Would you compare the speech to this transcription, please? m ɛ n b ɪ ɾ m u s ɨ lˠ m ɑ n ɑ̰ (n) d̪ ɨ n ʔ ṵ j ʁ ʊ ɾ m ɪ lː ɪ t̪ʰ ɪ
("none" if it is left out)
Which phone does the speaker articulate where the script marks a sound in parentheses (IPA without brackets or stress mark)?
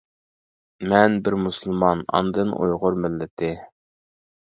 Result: n